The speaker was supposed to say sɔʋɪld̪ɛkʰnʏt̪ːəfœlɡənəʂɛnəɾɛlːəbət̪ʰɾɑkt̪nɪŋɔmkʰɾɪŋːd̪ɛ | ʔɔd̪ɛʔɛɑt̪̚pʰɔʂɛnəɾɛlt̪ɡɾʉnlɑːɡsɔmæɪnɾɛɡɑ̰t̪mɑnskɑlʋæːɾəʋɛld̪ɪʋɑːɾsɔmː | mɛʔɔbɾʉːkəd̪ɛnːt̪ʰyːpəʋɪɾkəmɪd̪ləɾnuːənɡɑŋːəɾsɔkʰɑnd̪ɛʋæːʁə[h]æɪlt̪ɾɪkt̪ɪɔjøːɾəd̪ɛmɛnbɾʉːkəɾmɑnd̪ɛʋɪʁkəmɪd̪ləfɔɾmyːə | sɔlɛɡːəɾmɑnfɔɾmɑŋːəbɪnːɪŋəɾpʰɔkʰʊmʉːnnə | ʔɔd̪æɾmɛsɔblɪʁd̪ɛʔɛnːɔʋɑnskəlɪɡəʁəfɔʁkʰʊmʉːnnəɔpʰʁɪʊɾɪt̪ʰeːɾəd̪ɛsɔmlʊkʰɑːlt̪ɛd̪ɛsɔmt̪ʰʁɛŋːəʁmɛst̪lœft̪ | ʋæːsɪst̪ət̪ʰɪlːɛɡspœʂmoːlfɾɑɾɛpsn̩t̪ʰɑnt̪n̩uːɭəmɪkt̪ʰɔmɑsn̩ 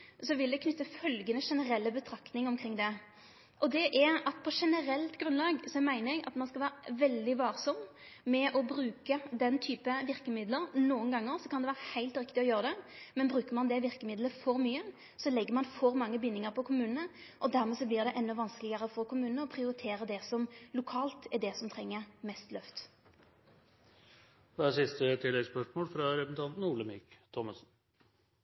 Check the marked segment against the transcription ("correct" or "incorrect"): correct